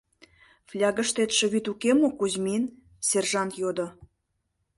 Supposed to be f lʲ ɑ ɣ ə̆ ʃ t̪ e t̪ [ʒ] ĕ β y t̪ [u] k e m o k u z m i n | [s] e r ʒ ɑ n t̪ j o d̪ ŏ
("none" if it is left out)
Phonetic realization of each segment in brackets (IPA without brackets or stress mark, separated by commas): ʃ, u, s